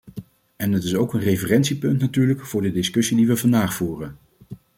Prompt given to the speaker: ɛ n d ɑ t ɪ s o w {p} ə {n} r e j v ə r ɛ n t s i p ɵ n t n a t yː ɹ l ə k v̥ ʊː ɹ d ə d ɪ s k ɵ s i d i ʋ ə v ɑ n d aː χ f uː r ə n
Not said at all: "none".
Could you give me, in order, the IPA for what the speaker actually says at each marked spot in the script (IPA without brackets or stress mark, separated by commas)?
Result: k, n